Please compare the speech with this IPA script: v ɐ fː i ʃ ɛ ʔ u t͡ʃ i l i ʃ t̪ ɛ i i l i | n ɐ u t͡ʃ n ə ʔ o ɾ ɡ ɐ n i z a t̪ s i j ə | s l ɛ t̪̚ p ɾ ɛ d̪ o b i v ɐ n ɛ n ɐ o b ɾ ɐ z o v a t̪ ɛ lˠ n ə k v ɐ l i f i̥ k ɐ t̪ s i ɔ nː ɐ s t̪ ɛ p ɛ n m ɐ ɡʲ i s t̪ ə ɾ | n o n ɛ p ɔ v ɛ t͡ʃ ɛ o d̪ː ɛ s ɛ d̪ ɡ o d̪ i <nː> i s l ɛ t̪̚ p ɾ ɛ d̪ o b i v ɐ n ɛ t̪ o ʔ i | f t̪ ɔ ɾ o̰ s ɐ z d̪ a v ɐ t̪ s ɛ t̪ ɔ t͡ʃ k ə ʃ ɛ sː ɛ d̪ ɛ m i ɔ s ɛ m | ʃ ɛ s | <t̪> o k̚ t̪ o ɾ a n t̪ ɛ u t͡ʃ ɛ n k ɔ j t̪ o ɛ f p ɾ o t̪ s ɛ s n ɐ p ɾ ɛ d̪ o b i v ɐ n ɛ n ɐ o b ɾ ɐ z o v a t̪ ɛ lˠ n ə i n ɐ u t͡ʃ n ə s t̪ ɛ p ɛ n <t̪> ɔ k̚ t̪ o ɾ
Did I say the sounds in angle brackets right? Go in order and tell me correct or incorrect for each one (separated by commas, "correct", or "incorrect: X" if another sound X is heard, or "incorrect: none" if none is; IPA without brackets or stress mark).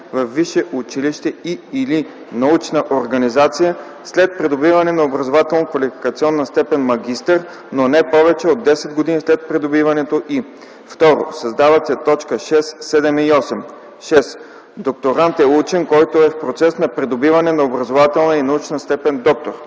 incorrect: n, incorrect: d̪, incorrect: d̪